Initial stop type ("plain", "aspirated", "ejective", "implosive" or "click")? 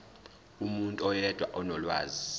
ejective